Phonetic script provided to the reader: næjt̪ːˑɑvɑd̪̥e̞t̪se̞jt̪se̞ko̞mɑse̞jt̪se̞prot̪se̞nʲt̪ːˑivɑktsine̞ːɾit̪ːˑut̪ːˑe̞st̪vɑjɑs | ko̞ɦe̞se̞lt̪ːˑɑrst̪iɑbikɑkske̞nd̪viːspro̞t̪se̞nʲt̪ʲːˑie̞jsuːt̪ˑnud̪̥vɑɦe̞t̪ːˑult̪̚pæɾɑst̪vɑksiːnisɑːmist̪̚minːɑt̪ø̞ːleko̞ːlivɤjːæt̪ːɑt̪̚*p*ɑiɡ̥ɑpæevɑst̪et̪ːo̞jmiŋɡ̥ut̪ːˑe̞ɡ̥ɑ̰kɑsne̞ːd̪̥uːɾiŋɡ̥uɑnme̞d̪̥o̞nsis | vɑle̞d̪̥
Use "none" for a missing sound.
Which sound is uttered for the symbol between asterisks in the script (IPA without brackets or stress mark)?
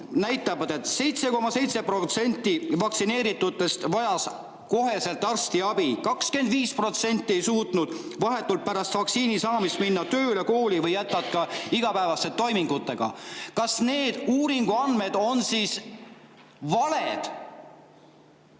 k